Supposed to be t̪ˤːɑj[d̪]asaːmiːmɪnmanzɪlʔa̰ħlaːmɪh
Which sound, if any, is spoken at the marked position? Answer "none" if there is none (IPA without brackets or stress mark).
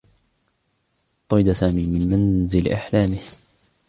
d̪